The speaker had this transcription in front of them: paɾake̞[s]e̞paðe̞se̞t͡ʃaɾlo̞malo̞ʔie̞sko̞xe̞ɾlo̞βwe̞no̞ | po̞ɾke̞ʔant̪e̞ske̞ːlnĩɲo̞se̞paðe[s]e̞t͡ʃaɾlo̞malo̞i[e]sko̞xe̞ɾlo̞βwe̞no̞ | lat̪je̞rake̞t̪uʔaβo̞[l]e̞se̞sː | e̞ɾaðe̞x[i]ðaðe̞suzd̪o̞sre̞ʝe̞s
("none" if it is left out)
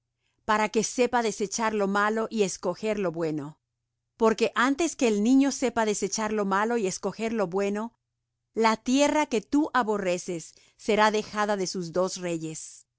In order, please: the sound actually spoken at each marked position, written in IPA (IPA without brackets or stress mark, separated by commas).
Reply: s, s, e, r, a